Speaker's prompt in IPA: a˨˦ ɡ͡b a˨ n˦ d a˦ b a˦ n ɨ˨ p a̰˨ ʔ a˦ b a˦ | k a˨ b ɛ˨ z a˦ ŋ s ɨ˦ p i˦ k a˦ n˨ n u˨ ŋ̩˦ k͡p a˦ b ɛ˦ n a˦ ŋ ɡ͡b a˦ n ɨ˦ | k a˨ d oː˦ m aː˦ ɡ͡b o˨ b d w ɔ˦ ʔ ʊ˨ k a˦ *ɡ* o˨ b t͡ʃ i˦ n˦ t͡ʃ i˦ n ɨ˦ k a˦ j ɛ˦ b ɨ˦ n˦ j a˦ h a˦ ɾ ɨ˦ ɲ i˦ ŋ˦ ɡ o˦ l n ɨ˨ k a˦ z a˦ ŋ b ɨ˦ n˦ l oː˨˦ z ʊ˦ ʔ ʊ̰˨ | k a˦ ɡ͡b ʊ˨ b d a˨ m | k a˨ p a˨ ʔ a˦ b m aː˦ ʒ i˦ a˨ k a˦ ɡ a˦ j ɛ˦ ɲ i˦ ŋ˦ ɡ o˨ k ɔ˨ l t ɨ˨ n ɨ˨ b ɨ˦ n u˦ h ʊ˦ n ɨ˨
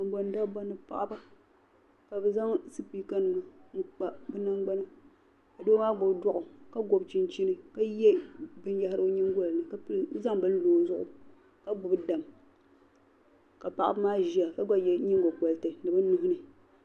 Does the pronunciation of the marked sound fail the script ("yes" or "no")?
no